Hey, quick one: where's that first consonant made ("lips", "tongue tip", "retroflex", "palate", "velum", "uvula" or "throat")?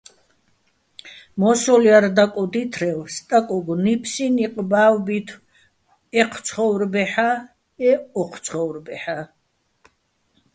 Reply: lips